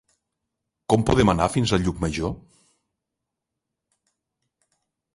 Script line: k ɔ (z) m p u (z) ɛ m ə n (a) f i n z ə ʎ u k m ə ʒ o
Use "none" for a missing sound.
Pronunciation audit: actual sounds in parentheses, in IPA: none, ð, a

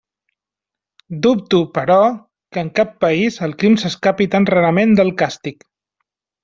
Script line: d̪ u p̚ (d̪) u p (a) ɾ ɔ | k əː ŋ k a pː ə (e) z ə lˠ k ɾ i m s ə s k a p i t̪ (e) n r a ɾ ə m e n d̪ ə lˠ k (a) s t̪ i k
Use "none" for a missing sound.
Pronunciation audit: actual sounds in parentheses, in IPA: t̪, ə, i, a, a

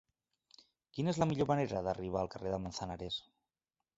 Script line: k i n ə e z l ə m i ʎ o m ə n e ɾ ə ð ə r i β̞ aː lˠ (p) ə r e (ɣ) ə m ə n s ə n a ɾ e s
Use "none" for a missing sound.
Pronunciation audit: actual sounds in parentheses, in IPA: k, ð

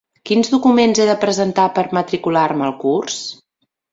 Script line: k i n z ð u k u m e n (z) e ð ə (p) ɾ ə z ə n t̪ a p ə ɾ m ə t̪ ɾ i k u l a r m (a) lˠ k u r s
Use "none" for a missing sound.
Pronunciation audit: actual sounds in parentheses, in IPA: z, p, ə

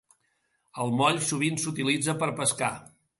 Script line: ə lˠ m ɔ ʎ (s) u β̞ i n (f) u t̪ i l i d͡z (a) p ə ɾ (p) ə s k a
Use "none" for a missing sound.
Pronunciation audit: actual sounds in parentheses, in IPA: s, s, ə, p

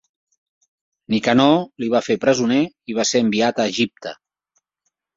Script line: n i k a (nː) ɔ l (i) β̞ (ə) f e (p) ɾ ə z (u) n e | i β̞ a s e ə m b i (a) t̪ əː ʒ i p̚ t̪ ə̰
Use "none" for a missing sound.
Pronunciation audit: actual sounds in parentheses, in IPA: n, i, a, p, u, a

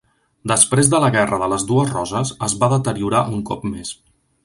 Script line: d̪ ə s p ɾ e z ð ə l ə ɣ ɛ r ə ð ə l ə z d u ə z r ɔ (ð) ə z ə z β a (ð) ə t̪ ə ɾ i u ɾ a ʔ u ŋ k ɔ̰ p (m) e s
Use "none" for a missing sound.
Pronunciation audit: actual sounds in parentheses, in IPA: z, ð, m

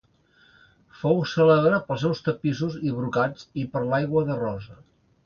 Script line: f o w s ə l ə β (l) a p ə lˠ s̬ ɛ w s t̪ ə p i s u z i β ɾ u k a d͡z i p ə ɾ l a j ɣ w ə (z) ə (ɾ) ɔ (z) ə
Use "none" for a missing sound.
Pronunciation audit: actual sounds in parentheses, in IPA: ɾ, ð, r, z

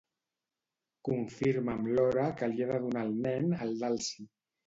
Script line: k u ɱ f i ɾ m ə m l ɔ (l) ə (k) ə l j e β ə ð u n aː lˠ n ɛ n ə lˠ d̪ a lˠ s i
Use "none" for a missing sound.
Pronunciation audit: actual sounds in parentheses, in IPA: ɾ, k

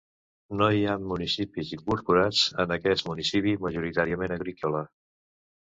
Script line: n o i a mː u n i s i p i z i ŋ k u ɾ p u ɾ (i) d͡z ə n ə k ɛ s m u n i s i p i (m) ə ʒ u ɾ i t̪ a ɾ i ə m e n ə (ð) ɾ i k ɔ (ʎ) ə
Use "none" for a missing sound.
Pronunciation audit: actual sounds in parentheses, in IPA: a, m, ɣ, l

